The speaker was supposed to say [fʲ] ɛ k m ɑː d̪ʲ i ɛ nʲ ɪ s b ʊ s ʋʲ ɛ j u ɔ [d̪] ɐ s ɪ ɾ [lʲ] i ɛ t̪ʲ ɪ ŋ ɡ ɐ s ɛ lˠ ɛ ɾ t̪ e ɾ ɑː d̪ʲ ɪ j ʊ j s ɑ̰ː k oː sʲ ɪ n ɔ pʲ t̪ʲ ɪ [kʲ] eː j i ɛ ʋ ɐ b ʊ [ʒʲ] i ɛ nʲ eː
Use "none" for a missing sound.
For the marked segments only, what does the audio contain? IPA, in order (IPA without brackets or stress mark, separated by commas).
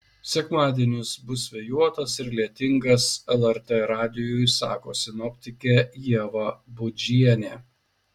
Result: sʲ, t̪, lʲ, kʲ, d͡ʒʲ